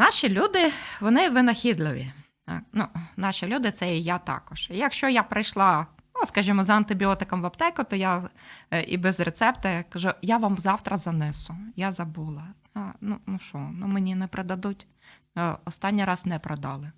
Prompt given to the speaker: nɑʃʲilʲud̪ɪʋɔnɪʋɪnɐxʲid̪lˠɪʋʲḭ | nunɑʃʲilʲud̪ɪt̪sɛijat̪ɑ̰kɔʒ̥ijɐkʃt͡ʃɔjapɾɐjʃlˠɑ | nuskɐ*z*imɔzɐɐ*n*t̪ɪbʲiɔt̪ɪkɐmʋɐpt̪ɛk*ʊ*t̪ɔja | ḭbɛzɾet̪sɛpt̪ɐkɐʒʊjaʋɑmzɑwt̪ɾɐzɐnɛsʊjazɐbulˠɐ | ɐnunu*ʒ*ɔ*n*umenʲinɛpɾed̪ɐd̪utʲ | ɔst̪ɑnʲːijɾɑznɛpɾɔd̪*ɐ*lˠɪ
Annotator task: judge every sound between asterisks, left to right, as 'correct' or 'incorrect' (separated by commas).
incorrect, correct, correct, incorrect, correct, incorrect